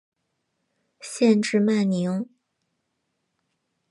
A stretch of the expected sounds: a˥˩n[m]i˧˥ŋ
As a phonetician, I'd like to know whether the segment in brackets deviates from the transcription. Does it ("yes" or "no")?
yes